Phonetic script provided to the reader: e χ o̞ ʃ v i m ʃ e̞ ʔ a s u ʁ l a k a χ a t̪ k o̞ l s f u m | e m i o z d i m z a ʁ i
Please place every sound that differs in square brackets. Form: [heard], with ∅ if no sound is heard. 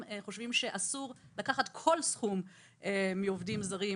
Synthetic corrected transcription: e χ o̞ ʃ v i m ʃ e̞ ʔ a s u ʁ l a k a χ a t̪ [kʰ] o̞ l s [χ] u m | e m i o [v] d i m z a ʁ i